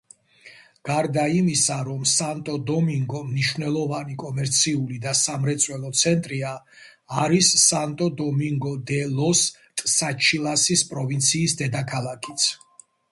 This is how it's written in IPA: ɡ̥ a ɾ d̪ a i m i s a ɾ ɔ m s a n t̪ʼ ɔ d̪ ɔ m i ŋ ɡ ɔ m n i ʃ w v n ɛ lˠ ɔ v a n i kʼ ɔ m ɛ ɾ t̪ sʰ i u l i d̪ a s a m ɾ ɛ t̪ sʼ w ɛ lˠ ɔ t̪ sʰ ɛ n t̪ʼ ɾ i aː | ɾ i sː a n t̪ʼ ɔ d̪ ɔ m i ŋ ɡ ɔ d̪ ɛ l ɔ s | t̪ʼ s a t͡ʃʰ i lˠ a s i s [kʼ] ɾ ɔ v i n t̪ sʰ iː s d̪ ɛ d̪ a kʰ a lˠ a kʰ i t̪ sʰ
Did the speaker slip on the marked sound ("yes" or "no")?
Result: yes